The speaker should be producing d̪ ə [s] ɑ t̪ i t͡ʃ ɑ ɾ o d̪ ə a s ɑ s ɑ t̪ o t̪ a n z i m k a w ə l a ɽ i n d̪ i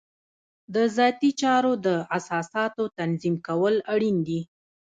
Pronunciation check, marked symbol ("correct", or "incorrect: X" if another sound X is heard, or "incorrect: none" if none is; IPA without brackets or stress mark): incorrect: z